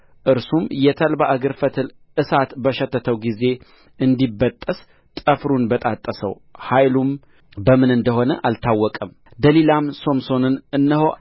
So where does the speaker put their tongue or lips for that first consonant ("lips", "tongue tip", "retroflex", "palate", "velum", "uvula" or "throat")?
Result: throat